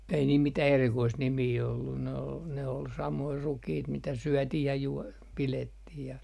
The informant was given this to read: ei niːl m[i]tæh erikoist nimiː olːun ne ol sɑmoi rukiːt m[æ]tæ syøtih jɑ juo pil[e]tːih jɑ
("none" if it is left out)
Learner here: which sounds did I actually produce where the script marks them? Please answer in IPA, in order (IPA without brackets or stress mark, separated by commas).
i, i, e